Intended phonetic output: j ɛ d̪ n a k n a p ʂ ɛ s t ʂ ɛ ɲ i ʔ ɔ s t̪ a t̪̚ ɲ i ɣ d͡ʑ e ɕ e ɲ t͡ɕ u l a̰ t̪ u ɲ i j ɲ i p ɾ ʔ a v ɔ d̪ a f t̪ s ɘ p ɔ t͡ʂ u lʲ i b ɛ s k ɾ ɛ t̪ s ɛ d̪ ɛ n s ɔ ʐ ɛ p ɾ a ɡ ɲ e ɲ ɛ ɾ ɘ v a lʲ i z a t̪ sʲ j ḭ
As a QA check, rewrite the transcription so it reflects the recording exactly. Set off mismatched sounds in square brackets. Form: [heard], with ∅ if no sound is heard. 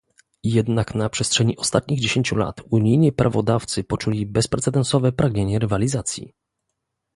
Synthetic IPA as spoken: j ɛ d̪ n a k n a p ʂ ɛ s t ʂ ɛ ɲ i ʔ ɔ s t̪ a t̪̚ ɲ i ɣ d͡ʑ e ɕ e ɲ t͡ɕ u l a̰ t̪ u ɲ i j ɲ i p ɾ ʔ a v ɔ d̪ a f t̪ s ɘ p ɔ t͡ʂ u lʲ i b ɛ s [p] ɾ ɛ t̪ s ɛ d̪ ɛ n s ɔ [v] ɛ p ɾ a ɡ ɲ e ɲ ɛ ɾ ɘ v a lʲ i z a t̪ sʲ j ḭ